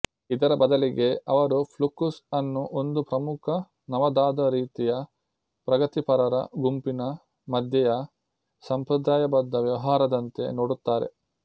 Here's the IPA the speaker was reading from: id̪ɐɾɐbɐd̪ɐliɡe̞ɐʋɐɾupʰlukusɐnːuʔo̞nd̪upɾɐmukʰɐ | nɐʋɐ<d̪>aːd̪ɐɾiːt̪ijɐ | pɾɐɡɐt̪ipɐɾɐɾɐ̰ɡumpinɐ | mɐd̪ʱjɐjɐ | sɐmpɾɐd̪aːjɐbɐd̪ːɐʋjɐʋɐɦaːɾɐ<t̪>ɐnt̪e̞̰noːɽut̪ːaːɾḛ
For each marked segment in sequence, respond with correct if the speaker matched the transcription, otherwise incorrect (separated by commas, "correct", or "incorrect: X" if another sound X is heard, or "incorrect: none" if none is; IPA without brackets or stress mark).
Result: correct, incorrect: d̪